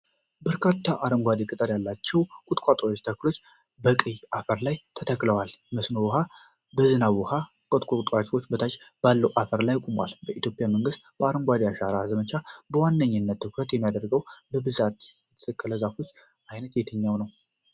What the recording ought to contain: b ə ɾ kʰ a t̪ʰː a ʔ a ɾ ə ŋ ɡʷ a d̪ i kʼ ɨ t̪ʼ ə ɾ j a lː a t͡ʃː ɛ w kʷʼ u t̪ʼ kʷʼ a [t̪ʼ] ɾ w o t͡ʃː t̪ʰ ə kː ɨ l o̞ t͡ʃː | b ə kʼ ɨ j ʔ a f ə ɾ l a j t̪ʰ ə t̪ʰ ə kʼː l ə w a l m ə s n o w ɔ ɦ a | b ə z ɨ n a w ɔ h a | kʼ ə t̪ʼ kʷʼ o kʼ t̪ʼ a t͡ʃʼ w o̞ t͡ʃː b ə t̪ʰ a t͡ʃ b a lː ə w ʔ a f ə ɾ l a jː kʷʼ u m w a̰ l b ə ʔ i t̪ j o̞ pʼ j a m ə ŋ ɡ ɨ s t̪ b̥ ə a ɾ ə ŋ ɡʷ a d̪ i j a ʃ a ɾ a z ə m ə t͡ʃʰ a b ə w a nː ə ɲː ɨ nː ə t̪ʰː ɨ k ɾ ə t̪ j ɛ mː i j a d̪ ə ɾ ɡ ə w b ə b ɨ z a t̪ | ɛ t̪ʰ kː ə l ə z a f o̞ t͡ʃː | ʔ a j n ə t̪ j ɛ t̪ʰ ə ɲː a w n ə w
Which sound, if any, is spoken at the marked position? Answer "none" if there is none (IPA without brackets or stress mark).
t̪ʼ